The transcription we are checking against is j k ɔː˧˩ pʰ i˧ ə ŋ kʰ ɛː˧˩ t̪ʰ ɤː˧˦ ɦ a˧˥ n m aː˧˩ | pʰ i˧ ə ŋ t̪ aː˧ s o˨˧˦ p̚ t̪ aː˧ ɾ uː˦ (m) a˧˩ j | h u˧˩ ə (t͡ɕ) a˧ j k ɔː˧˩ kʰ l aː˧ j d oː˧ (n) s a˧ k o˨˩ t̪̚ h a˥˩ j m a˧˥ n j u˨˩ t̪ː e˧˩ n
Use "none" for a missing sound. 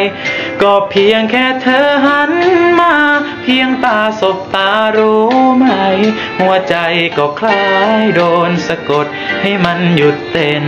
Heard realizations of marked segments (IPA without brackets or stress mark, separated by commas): m, t͡ɕ, n